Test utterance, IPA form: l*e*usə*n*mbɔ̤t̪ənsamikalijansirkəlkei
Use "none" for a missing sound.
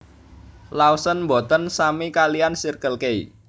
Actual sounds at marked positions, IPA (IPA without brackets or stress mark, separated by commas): a, n